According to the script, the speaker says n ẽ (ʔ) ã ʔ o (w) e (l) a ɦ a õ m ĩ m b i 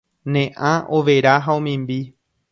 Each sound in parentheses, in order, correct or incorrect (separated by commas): correct, incorrect, incorrect